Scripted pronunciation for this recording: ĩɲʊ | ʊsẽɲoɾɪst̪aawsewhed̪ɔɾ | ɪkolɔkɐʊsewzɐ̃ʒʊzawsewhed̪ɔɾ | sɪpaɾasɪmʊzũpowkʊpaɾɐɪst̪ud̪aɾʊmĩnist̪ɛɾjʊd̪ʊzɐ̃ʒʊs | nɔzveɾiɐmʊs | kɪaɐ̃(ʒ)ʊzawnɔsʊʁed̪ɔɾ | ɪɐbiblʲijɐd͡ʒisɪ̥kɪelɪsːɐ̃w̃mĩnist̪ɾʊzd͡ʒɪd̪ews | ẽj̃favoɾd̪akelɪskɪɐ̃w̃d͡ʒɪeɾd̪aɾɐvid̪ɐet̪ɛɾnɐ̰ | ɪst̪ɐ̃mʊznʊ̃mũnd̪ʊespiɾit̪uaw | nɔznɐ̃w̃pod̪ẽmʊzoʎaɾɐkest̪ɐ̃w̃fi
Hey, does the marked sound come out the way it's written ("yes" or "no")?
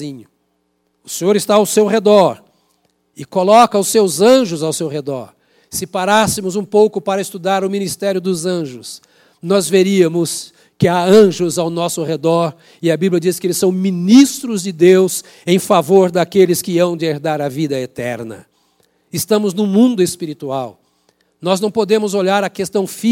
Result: yes